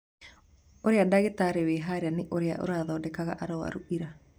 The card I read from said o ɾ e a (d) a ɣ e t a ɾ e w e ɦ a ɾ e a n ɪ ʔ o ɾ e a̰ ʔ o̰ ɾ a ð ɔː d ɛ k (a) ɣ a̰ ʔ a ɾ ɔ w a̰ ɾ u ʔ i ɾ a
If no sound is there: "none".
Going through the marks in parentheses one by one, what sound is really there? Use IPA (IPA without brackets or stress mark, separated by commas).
d, a